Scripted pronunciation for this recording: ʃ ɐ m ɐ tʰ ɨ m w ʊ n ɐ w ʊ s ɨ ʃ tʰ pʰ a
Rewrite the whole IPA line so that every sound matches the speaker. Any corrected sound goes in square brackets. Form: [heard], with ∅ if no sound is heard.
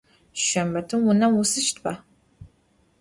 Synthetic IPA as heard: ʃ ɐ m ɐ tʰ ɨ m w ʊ n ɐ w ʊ s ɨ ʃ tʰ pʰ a